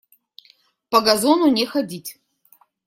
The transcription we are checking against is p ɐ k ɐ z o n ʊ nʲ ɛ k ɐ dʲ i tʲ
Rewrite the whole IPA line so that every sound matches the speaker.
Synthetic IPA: p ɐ ɡ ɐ z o n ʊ nʲ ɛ x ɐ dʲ i tʲ